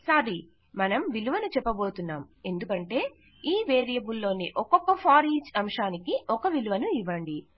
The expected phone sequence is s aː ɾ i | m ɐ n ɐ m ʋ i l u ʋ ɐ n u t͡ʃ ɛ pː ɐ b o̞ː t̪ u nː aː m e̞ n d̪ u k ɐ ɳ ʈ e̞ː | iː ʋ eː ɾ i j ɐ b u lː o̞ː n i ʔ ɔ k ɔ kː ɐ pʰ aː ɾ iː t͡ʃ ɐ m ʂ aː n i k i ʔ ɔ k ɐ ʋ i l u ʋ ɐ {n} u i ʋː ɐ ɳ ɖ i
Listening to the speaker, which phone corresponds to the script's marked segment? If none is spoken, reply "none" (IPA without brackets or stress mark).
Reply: n